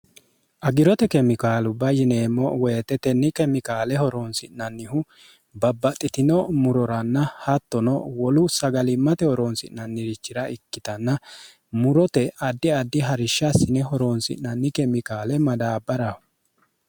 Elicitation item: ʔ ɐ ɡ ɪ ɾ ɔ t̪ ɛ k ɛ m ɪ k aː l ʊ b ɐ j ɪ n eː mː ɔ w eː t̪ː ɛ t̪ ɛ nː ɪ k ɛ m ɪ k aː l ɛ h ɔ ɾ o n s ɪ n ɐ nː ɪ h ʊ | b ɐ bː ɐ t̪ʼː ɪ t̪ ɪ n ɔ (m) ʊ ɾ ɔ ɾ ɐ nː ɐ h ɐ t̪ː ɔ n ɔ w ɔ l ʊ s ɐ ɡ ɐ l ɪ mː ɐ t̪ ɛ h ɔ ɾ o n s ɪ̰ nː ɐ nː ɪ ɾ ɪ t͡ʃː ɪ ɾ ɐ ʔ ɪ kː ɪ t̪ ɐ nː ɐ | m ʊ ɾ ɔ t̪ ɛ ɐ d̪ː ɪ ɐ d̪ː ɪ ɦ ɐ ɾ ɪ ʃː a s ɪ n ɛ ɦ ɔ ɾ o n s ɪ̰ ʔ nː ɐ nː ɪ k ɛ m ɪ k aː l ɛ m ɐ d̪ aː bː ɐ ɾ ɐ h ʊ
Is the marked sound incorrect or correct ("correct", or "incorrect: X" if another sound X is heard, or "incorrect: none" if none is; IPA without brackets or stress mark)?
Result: correct